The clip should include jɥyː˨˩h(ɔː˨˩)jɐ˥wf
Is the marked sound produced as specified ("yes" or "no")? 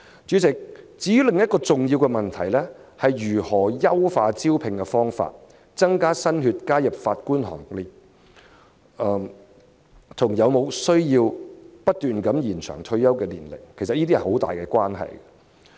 yes